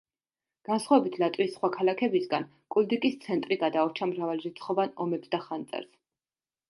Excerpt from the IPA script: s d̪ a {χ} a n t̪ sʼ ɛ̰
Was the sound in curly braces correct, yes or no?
yes